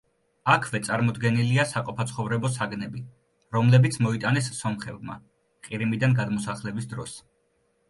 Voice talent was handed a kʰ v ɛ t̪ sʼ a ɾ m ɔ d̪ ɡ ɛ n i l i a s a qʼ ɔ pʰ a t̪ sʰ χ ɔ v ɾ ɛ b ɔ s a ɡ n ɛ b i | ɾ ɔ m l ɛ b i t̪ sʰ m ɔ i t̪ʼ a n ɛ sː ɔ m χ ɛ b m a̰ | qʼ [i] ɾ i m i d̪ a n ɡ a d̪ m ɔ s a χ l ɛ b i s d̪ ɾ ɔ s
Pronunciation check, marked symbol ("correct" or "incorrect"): correct